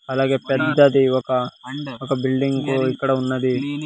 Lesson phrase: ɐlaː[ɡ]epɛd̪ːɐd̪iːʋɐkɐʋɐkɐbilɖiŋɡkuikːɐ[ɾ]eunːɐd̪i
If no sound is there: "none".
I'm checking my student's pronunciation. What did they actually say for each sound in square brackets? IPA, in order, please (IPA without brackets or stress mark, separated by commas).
ɡ, ɽ